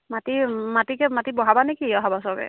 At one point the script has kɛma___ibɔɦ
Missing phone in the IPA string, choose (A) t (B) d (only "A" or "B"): A